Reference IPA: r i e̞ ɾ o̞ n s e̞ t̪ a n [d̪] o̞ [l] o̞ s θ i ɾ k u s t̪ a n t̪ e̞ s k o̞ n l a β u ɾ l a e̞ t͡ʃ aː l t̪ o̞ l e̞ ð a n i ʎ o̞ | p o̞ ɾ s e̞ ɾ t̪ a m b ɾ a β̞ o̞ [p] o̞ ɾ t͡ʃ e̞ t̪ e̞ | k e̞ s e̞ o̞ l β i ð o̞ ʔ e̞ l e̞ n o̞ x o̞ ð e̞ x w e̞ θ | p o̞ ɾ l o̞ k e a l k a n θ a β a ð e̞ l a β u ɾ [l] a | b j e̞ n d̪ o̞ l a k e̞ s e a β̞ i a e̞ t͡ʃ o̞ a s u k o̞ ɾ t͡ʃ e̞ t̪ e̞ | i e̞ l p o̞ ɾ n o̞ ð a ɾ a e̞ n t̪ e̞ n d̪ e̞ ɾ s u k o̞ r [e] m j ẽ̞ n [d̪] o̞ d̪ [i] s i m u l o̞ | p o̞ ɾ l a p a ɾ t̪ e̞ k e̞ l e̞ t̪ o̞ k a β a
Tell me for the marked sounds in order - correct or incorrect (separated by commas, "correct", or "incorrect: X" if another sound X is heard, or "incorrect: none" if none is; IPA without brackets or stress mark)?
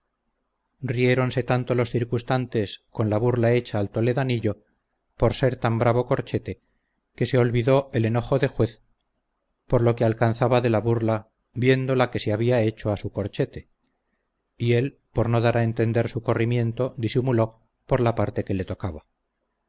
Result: incorrect: t̪, correct, incorrect: k, correct, incorrect: i, incorrect: t̪, correct